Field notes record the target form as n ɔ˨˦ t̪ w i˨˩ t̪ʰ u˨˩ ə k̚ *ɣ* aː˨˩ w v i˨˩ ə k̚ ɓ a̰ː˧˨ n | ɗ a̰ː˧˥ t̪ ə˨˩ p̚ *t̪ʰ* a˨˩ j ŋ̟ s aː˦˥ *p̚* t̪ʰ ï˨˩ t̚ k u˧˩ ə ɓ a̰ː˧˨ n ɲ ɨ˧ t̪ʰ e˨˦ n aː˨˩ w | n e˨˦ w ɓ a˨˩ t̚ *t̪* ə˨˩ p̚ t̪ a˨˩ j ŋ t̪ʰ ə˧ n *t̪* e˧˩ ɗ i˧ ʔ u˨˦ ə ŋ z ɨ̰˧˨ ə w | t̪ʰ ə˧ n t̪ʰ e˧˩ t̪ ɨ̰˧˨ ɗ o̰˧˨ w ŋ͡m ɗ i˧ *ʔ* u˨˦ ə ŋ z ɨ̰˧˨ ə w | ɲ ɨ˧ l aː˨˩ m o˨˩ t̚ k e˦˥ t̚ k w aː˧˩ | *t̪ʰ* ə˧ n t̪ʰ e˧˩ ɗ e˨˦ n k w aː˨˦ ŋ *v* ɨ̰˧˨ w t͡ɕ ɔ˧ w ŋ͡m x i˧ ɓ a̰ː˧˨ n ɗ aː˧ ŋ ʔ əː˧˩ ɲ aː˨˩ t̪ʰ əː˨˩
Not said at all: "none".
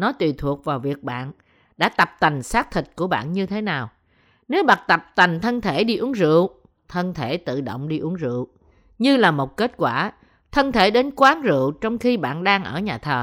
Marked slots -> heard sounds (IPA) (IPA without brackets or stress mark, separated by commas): v, t̪, k̚, t̪, t̪ʰ, ʔ, t̪ʰ, z